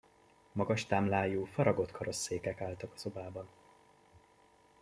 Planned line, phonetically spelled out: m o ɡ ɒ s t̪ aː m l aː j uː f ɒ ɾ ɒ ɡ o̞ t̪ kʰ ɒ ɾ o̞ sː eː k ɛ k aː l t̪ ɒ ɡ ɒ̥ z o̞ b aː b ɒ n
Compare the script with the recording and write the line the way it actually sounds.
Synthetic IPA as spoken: m ɒ ɡ ɒ ʃ t̪ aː m l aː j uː f ɒ ɾ ɒ ɡ o̞ t̪ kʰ ɒ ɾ o̞ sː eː k ɛ k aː l t̪ ɒ k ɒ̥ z o̞ b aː b ɒ n

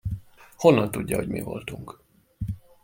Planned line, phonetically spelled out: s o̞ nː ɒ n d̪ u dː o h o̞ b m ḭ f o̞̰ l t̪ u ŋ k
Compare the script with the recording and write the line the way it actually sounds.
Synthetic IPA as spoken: h o̞ nː ɒ n t̪ u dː ɒ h o̞ ɟ m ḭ v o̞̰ l t̪ u ŋ k

